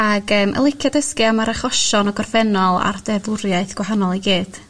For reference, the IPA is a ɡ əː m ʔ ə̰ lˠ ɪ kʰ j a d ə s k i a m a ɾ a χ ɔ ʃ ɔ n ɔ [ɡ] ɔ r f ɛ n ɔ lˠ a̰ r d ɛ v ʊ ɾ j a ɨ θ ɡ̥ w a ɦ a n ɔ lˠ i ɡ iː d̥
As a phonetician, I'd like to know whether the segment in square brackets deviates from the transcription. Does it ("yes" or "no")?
no